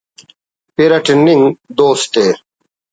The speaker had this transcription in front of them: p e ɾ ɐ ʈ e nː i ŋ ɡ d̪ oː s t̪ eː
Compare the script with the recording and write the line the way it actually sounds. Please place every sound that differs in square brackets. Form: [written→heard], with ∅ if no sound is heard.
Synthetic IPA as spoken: p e ɾ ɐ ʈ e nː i ŋ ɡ d̪ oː s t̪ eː